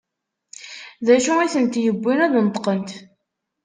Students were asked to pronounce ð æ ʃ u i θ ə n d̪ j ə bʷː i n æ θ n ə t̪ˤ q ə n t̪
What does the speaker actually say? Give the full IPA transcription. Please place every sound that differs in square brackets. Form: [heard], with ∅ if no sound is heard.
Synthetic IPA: ð æ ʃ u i θ ə n [t̪] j ə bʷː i n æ [ð] n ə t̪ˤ q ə n t̪